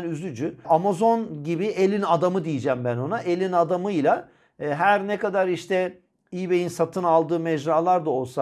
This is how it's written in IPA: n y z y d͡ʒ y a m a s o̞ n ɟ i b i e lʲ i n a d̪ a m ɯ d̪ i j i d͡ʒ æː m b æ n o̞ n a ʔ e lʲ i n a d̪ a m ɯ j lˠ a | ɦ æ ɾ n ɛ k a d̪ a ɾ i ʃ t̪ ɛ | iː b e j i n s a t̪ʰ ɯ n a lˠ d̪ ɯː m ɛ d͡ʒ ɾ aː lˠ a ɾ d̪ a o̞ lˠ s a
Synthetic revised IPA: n y z y d͡ʒ y a m a z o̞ n ɟ i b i e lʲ i n a d̪ a m ɯ d̪ i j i d͡ʒ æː m b æ n o̞ n a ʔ e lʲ i n a d̪ a m ɯ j lˠ a | ɦ æ ɾ n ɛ k a d̪ a ɾ i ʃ t̪ ɛ | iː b e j i n s a t̪ʰ ɯ n a lˠ d̪ ɯː m ɛ d͡ʒ ɾ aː lˠ a ɾ d̪ a o̞ lˠ s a

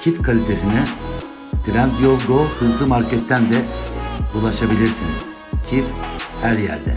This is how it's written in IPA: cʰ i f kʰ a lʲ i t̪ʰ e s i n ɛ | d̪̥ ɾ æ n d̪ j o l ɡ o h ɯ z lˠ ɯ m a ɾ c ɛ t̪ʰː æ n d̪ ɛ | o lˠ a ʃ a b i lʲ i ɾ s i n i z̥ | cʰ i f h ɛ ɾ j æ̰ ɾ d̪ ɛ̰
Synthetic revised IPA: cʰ i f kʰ a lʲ i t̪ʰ e s i n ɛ | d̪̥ ɾ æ n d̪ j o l ɡ o h ɯ z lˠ ɯ m a ɾ c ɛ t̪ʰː æ n d̪ ɛ | u lˠ a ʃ a b i lʲ i ɾ s i n i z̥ | cʰ i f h æ ɾ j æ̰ ɾ d̪ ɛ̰

